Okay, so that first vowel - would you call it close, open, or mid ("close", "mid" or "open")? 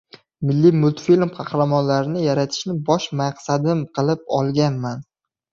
close